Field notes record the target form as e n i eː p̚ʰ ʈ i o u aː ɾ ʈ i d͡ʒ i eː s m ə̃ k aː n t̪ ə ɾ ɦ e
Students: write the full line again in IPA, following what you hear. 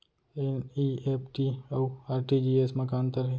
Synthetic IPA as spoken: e n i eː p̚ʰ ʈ i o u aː ɾ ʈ i d͡ʒ i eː s m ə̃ k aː n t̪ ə ɾ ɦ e

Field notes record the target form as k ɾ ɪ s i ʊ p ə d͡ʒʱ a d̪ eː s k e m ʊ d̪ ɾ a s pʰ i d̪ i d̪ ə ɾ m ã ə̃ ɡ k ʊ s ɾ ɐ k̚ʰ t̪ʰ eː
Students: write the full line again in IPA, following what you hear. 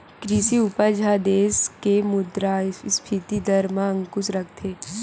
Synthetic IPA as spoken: k ɾ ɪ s i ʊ p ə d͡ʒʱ a d̪ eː s k e m ʊ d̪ ɾ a s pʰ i t̪ i d̪ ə ɾ m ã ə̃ ŋ k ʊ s ɾ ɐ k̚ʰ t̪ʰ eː

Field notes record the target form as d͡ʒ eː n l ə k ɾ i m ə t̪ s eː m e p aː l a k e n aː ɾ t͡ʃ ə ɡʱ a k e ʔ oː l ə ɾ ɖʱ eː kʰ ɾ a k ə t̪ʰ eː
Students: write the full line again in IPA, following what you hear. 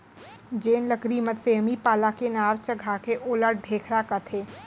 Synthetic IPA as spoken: d͡ʒ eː n l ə k ɾ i m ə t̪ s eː m i p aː l a k e n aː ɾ t͡ʃ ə ɡʱ a k e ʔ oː l ə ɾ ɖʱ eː kʰ ɾ a k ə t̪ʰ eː

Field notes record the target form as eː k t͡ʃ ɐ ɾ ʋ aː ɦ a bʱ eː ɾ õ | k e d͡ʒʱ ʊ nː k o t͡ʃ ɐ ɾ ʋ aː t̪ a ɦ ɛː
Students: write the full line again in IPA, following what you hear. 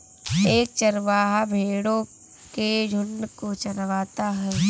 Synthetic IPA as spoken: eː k t͡ʃ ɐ ɾ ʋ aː ɦ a bʱ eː ɽ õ | k e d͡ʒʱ ʊ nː k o t͡ʃ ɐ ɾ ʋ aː t̪ a ɦ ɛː

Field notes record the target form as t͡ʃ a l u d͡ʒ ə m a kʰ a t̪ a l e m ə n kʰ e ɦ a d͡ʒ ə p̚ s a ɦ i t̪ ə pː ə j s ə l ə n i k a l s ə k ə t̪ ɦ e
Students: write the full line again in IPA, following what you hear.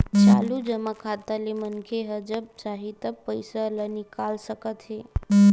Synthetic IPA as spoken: t͡ʃ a l u d͡ʒ ə m a kʰ a t̪ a l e m ə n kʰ e ɦ ə d͡ʒ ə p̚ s a ɦ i t̪ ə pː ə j s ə l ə n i k a l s ə k ə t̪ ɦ e

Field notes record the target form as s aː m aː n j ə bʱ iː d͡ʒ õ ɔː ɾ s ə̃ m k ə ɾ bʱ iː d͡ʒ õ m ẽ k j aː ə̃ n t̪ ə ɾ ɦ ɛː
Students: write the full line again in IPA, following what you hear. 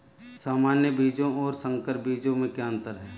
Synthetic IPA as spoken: s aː m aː n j ə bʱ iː d͡ʒ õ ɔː ɾ s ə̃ ŋ k ə ɾ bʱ iː d͡ʒ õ m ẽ k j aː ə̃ n t̪ ə ɾ ɦ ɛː

